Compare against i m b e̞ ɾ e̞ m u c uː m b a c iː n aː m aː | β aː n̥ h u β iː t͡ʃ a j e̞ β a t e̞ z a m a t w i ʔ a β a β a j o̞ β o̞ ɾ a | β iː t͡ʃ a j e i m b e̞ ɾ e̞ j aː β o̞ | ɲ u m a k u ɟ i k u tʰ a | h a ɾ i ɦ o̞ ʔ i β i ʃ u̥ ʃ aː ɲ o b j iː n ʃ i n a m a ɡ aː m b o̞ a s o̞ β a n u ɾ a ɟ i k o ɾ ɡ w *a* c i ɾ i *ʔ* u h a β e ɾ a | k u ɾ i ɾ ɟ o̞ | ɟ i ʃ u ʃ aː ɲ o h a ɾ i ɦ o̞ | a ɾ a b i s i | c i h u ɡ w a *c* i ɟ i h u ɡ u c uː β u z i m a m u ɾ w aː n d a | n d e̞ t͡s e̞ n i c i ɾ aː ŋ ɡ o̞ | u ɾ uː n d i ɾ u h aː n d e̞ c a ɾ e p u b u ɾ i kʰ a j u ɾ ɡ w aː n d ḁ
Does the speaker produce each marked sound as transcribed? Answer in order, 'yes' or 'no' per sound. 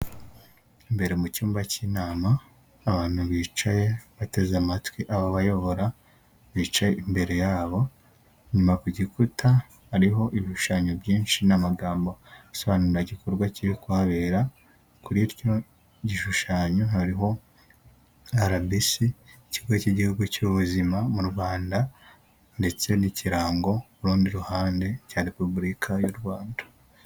yes, no, yes

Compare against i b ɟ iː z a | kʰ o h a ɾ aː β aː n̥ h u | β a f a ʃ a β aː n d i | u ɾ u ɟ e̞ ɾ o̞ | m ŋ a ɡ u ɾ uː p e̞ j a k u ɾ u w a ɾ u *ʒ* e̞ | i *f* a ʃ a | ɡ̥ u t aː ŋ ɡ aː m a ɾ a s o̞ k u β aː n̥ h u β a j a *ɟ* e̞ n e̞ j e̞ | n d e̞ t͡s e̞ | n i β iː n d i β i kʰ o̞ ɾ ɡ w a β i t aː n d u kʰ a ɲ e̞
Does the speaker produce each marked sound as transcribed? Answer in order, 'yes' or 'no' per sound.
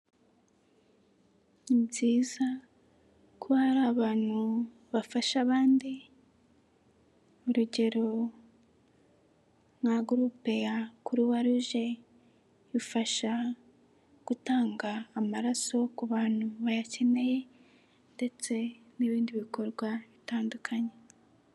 yes, yes, no

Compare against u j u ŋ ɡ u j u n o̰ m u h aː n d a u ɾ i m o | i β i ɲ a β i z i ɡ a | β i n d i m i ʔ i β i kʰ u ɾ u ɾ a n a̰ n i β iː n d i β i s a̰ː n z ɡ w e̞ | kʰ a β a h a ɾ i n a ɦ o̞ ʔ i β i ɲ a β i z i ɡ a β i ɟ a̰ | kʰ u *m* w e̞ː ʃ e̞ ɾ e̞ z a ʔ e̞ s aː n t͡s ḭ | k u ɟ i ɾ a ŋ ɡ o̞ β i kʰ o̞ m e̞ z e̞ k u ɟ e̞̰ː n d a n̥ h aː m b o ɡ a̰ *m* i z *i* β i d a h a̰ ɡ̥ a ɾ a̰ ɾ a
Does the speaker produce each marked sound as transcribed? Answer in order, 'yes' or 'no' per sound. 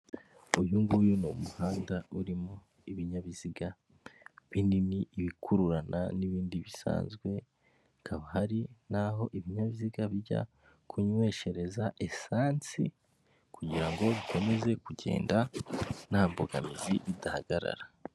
no, yes, yes

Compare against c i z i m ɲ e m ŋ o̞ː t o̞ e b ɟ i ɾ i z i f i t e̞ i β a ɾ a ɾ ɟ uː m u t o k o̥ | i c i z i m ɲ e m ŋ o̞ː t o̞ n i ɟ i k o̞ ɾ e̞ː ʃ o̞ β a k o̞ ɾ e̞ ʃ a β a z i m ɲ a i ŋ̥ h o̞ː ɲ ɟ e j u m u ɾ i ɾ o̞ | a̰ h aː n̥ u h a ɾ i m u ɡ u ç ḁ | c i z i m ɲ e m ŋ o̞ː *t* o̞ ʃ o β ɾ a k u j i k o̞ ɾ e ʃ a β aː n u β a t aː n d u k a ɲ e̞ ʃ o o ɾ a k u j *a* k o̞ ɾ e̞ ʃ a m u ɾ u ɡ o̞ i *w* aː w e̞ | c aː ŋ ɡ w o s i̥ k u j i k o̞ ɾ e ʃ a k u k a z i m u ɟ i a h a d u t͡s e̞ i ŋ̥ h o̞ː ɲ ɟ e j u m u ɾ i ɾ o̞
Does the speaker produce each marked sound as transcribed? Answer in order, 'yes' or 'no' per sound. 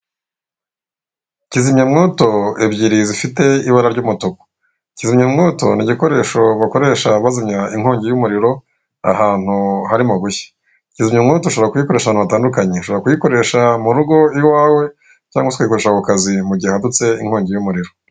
yes, no, yes

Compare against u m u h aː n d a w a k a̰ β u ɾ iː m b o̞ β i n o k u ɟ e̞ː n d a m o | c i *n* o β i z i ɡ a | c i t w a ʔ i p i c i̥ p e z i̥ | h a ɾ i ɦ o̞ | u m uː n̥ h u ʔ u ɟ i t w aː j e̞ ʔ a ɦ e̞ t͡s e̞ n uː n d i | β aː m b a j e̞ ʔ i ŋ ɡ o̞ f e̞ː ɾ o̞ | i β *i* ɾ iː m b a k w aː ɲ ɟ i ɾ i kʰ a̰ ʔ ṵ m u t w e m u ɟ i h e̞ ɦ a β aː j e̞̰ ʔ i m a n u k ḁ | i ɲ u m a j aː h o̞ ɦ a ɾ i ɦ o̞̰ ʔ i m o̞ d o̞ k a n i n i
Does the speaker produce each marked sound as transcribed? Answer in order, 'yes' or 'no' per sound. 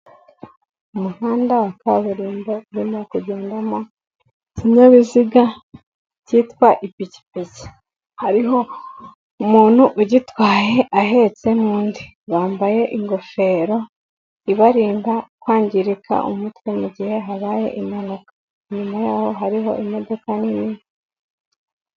no, no

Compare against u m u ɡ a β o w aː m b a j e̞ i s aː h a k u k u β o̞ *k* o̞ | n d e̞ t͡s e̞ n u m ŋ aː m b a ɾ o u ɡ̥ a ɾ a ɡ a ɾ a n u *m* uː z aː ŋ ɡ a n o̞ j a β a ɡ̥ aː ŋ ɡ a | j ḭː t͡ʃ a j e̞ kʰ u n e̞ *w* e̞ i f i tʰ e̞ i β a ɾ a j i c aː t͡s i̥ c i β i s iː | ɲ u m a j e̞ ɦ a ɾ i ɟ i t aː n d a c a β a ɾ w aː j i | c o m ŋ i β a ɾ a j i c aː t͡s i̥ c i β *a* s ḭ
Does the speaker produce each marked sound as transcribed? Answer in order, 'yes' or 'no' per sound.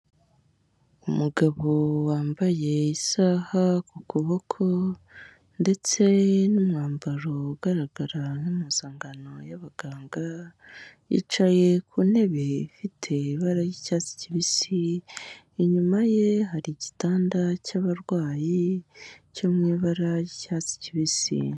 no, yes, no, no

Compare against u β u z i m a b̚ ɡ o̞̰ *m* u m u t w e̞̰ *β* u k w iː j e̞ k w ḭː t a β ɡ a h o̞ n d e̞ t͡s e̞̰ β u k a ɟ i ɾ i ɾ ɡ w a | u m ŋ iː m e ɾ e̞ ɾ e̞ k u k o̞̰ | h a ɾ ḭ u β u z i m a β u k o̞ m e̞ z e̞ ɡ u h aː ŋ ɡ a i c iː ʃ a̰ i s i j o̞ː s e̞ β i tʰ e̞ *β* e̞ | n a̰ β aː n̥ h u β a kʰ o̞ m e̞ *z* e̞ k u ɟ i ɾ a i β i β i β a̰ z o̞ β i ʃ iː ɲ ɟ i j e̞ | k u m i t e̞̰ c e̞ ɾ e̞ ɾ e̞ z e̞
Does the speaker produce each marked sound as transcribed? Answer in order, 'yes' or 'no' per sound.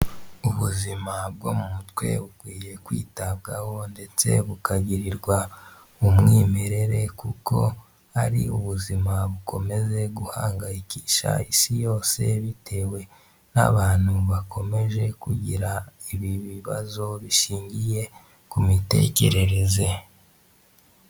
yes, yes, no, no

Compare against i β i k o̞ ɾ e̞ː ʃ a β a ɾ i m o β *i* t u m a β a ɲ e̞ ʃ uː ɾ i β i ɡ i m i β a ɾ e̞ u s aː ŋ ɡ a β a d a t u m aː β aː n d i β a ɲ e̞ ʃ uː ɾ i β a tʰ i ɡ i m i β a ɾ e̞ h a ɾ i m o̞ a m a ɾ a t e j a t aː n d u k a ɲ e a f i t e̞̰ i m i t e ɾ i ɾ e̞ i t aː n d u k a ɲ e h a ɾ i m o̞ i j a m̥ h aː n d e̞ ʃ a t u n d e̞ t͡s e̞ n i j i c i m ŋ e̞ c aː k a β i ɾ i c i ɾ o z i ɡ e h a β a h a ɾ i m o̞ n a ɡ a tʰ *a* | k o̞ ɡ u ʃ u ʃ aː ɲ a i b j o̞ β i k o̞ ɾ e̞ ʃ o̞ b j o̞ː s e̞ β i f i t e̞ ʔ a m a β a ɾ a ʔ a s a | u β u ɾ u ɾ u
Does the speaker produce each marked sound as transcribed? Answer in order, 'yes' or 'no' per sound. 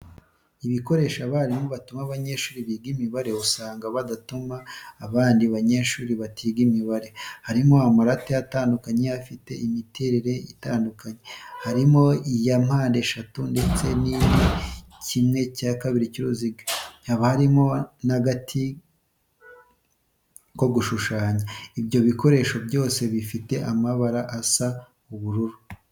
no, no

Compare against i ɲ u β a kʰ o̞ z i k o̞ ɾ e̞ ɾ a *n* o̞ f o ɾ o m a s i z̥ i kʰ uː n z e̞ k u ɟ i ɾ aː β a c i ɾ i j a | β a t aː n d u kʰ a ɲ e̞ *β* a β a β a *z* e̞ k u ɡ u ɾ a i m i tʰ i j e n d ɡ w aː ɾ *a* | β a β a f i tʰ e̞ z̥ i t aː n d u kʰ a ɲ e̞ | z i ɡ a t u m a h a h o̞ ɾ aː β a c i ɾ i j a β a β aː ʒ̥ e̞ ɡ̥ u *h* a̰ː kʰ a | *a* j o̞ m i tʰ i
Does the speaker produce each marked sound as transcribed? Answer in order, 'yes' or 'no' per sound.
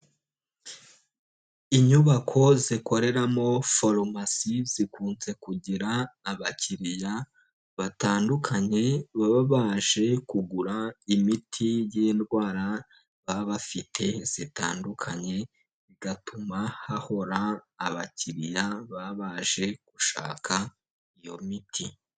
no, yes, no, yes, no, no

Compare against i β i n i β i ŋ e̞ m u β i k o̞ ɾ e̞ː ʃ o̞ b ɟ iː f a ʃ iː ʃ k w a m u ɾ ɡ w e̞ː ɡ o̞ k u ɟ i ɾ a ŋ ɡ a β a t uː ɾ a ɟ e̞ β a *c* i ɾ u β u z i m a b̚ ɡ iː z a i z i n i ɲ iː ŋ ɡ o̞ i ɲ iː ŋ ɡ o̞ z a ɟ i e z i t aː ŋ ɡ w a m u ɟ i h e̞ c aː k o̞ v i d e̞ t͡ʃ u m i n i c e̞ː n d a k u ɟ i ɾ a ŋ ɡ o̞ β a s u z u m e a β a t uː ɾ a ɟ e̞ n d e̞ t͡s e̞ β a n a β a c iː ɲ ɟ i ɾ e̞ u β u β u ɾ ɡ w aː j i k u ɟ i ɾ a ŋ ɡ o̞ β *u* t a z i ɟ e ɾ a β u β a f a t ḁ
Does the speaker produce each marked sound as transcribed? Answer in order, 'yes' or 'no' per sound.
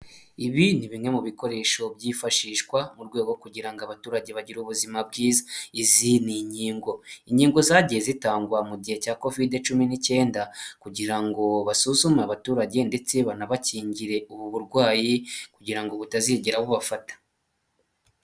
no, yes

